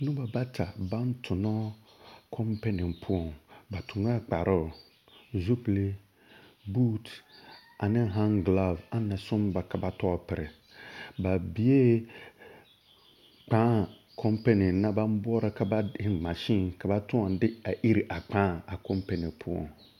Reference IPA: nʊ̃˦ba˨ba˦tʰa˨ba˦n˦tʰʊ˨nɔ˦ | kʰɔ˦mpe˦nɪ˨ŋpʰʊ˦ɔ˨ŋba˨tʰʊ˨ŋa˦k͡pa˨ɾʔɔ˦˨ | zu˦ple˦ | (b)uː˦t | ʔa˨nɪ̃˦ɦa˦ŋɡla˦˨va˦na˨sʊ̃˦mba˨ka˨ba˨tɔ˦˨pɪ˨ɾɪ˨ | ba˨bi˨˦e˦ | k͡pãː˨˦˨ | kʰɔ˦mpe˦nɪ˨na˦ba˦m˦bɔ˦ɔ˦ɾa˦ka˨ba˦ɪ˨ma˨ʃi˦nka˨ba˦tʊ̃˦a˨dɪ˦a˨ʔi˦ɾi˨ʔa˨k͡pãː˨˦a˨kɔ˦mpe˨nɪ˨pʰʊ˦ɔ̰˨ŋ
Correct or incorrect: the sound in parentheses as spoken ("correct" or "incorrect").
correct